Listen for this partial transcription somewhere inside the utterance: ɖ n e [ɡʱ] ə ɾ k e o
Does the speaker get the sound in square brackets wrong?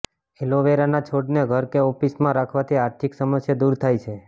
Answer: no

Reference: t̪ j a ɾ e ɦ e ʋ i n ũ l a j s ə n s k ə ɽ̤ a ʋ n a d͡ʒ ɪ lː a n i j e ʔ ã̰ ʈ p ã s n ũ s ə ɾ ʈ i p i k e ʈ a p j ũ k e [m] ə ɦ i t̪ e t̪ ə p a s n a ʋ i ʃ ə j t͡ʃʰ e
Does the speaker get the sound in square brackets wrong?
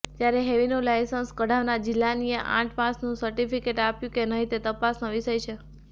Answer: yes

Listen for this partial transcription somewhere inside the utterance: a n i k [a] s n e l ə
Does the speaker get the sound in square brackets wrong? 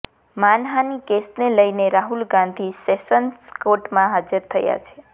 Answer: yes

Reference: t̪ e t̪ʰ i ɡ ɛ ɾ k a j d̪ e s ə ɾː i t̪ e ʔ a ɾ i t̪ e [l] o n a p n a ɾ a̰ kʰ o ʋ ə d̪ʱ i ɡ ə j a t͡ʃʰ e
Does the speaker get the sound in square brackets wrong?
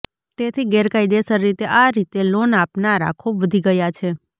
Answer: no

